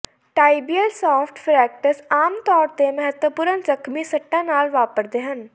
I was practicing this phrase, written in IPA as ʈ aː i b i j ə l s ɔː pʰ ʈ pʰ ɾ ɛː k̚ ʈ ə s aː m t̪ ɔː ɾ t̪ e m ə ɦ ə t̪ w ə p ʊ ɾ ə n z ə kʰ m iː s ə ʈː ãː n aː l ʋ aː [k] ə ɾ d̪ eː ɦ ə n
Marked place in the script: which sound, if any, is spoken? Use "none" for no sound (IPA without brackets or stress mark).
p